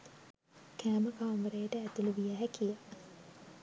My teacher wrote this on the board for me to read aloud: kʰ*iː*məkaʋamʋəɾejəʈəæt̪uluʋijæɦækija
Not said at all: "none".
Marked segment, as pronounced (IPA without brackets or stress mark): æː